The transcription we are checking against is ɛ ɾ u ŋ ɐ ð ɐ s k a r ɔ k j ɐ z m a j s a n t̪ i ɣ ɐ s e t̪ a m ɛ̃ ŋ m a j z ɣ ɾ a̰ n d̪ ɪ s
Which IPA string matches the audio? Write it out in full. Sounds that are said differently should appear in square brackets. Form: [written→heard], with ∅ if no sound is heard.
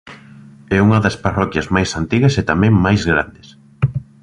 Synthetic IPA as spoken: ɛ [ɾ→∅] u ŋ ɐ ð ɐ s [k→p] a r ɔ k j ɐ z m a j s a n t̪ i ɣ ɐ s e t̪ a m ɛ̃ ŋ m a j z ɣ ɾ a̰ n d̪ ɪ s

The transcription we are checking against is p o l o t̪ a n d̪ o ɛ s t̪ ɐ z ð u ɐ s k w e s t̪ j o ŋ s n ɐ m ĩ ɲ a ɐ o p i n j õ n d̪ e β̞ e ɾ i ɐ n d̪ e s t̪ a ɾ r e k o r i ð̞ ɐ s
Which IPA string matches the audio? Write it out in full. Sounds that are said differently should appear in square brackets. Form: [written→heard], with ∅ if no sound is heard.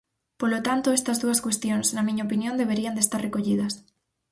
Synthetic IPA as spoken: p o l o t̪ a n [d̪→t̪] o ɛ s t̪ ɐ z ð u ɐ s k w e s t̪ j o ŋ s n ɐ m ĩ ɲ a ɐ o p i n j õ n d̪ e β̞ e ɾ i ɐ n d̪ e s t̪ a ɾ r e k o [r→ʎ] i ð̞ ɐ s

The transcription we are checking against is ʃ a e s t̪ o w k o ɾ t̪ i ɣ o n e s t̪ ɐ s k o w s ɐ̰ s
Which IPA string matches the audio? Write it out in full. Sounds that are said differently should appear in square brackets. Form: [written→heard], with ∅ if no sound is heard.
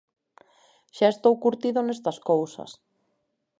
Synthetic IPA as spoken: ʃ a e s t̪ o w k [o→u] ɾ t̪ i [ɣ→ð] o n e s t̪ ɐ s k o w s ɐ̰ s

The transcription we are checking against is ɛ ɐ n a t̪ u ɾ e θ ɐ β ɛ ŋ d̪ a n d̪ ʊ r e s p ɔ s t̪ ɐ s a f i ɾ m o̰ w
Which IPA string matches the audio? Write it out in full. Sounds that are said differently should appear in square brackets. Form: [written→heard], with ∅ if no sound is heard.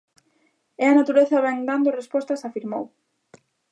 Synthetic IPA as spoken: ɛ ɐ n a t̪ u ɾ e θ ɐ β ɛ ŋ d̪ a n d̪ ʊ r e s p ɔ s t̪ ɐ s a f i ɾ m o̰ w

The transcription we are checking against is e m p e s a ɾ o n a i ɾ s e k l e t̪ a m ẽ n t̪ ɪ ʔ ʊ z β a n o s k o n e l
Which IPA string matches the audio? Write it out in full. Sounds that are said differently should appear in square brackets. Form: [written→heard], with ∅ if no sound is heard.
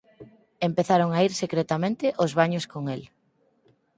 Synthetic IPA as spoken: e m p e [s→θ] a ɾ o [n→ŋ] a i ɾ s e k [l→ɾ] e t̪ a m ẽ n t̪ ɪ ʔ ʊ z β a [n→ɲ] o s k o [n→ŋ] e l

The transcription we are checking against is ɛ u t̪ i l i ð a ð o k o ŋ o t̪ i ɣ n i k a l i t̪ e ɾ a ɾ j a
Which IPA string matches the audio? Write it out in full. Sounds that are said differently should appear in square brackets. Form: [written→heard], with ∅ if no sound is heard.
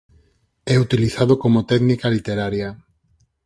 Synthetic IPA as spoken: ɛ u t̪ i l i [ð→θ] a ð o k o [ŋ→m] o t̪ [i→ɛ] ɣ n i k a l i t̪ e ɾ a ɾ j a

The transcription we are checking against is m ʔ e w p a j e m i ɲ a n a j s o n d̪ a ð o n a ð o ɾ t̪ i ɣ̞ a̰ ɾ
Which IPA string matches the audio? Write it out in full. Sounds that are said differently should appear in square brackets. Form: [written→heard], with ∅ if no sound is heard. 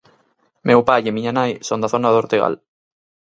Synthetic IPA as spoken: m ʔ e w p a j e m i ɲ a n a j s o n d̪ a [ð→θ] o n a ð o ɾ t̪ [i→e] ɣ̞ a̰ [ɾ→l]

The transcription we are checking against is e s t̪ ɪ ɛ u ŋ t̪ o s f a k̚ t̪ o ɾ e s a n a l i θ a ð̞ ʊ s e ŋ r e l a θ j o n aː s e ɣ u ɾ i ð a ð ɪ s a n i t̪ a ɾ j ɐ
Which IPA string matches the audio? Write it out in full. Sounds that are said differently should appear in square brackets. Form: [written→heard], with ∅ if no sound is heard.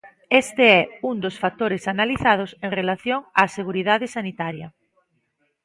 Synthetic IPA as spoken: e s t̪ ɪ ɛ u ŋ [t̪→d̪] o s f a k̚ t̪ o ɾ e s a n a l i θ a ð̞ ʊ s e ŋ r e l a θ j o [n→ŋ] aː s e ɣ u ɾ i ð a ð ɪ s a n i t̪ a ɾ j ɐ

